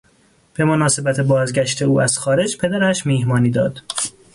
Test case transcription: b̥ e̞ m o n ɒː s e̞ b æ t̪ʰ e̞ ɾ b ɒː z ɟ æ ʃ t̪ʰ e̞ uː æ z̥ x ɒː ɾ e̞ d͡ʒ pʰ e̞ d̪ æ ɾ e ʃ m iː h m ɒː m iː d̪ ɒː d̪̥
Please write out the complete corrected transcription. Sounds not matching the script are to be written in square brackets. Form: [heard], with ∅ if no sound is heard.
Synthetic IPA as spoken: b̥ e̞ m o n ɒː s e̞ b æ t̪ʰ e̞ [∅] b ɒː z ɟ æ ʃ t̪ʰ e̞ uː æ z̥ x ɒː ɾ e̞ d͡ʒ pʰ e̞ d̪ æ ɾ [æ] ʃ m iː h m ɒː [n] iː d̪ ɒː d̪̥

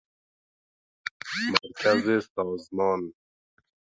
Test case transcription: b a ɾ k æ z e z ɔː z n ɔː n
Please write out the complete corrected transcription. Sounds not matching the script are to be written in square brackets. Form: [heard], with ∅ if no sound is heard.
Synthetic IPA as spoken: [m] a ɾ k [a] z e [s] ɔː z [m] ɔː n

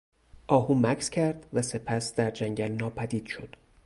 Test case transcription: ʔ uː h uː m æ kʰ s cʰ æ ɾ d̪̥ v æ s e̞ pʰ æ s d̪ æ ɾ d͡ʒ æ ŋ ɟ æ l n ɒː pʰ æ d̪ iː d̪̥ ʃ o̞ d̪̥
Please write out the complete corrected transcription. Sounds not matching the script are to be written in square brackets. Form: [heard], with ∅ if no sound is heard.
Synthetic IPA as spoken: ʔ [ɒː] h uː m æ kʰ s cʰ æ ɾ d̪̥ v æ s e̞ pʰ æ s d̪ æ ɾ d͡ʒ æ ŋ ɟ æ l n ɒː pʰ æ d̪ iː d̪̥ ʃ o̞ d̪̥

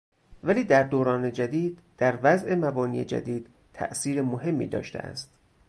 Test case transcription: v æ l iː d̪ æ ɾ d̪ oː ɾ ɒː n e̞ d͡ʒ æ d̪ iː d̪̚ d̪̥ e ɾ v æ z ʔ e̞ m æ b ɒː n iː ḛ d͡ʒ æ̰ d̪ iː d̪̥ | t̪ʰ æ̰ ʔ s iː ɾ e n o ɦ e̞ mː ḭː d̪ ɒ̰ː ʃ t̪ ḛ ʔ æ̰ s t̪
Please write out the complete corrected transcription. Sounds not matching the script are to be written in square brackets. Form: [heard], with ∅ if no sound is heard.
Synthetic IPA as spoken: v æ l iː d̪ æ ɾ d̪ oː ɾ ɒː n e̞ d͡ʒ æ d̪ iː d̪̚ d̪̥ [æ] ɾ v æ z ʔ e̞ m æ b ɒː n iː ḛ d͡ʒ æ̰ d̪ iː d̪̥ | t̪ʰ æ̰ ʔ s iː ɾ e [m] o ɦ e̞ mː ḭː d̪ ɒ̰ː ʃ t̪ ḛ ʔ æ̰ s t̪

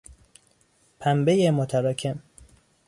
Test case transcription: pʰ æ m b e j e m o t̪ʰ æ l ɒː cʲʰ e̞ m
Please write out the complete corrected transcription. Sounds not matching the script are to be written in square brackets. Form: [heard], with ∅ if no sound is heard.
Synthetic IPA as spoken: pʰ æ m b e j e m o t̪ʰ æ [ɾ] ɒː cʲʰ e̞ m

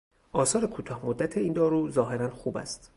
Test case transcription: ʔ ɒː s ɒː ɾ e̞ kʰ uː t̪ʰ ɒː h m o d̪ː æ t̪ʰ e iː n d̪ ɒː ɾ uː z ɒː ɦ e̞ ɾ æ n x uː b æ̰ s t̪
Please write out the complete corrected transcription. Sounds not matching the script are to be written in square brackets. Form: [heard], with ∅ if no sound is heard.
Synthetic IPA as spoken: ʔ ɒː s ɒː ɾ e̞ kʰ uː t̪ʰ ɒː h m o d̪ː æ t̪ʰ e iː n d̪ ɒː ɾ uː z ɒː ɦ e̞ ɾ æ n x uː b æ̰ s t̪

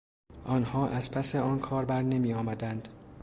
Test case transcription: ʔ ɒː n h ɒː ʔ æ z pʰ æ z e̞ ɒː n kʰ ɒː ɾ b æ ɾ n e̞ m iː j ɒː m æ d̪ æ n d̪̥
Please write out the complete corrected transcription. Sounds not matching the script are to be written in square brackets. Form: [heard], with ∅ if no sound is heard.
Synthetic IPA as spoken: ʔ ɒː n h ɒː ʔ æ z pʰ æ [s] e̞ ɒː n kʰ ɒː ɾ b æ ɾ n e̞ m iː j ɒː m æ d̪ æ n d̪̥

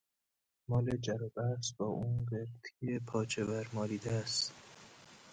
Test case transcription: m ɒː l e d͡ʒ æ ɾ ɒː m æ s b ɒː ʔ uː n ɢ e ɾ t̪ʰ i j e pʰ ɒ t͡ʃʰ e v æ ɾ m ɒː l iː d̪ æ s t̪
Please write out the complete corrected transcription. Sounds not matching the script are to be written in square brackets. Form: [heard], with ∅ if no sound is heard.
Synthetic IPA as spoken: m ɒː l e d͡ʒ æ ɾ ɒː [b] æ s b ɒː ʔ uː n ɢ e ɾ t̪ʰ i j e pʰ [ɒː] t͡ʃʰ e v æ ɾ m ɒː l iː d̪ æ s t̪

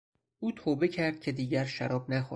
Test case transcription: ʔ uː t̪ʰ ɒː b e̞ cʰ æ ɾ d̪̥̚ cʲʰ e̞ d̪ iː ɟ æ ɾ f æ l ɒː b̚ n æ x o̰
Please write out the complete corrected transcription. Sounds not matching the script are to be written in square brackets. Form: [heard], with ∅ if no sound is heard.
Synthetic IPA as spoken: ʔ uː t̪ʰ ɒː b e̞ cʰ æ ɾ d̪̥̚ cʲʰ e̞ d̪ iː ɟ æ ɾ [ʃ] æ [ɾ] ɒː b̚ n æ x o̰

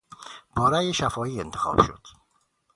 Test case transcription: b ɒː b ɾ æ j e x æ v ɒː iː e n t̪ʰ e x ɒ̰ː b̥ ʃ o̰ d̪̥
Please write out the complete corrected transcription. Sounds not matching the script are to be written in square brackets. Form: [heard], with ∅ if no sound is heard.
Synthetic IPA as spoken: b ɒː [∅] ɾ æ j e [ʃ] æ [f] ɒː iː e n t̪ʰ e x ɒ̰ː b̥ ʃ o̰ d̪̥

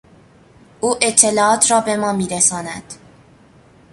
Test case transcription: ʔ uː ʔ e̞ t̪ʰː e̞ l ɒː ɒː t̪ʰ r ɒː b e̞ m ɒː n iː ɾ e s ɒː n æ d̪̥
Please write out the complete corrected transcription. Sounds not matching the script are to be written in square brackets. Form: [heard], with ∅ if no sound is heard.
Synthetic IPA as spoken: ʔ uː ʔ e̞ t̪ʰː e̞ l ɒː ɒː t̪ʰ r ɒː b e̞ m ɒː [m] iː ɾ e s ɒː n æ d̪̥

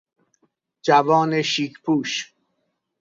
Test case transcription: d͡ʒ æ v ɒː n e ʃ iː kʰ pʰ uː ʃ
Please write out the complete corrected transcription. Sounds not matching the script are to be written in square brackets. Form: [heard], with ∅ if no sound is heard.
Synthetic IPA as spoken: d͡ʒ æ v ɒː n e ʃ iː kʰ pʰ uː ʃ

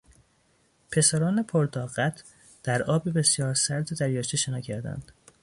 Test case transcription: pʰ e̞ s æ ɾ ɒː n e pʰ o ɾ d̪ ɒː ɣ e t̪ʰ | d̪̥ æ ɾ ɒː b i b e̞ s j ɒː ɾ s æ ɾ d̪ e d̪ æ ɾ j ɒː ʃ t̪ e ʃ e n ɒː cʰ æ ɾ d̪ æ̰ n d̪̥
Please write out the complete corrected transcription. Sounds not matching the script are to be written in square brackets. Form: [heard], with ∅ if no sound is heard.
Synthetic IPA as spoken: pʰ e̞ s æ ɾ ɒː n e pʰ o ɾ d̪ ɒː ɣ [æ] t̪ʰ | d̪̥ æ ɾ ɒː b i b e̞ s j ɒː ɾ s æ ɾ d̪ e d̪ æ ɾ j ɒː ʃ t̪ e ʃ e n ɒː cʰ æ ɾ d̪ æ̰ n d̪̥

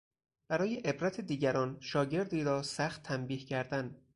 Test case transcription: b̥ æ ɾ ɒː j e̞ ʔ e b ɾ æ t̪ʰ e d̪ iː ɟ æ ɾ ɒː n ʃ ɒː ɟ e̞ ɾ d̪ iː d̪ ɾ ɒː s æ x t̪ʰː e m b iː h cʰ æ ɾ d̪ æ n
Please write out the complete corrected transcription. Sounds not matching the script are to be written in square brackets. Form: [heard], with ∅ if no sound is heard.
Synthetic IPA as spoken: b̥ æ ɾ ɒː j e̞ ʔ e b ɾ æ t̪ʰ e d̪ iː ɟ æ ɾ ɒː n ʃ ɒː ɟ e̞ ɾ d̪ iː [∅] ɾ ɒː s æ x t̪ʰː [æ] m b iː h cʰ æ ɾ d̪ æ n

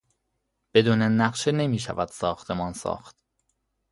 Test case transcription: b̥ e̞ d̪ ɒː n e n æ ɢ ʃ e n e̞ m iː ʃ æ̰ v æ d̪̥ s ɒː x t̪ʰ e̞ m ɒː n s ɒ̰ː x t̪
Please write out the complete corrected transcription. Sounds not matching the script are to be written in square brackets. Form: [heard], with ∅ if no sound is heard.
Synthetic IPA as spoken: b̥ e̞ d̪ [uː] n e n æ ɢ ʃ e n e̞ m iː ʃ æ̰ v æ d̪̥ s ɒː x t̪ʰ e̞ m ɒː n s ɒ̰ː x t̪

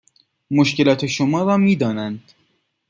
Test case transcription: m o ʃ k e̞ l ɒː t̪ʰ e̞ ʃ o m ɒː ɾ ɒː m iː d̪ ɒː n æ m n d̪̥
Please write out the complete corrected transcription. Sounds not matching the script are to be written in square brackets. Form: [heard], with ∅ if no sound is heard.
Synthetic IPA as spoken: m o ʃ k e̞ l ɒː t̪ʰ e̞ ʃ o m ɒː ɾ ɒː m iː d̪ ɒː n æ [∅] n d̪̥

